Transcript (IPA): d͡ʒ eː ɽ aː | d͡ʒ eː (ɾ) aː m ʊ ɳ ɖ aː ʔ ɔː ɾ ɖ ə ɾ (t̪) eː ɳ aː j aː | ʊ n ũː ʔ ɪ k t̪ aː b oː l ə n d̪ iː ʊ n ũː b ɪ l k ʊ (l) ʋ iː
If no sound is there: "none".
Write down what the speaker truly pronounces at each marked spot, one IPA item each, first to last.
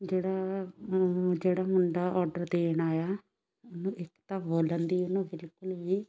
ɽ, d̪, l

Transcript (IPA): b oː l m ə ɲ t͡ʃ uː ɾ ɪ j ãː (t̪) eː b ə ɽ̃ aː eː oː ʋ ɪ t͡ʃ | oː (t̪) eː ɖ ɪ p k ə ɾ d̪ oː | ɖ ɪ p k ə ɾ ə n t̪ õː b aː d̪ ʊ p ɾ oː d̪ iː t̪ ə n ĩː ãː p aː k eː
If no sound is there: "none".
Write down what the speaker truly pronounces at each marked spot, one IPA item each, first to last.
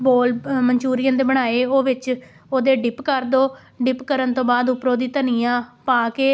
d̪, d̪

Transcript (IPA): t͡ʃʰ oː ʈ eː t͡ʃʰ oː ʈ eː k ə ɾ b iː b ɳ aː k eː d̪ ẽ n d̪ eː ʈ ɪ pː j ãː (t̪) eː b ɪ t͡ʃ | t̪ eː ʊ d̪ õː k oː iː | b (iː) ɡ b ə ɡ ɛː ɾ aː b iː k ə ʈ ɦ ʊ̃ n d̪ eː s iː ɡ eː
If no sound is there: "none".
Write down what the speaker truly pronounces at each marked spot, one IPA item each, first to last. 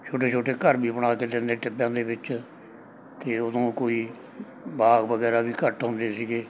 d̪, aː

